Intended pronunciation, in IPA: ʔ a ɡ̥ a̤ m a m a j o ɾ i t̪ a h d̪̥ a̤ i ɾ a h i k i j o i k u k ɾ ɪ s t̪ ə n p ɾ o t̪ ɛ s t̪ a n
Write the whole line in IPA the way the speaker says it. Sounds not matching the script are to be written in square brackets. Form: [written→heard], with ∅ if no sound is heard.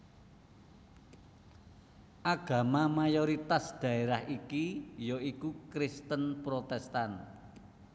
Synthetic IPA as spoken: ʔ a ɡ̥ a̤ m a m a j o ɾ i t̪ a [h→s] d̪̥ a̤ [i→e] ɾ a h i k i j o i k u k ɾ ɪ s t̪ ə n p ɾ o t̪ ɛ s t̪ a n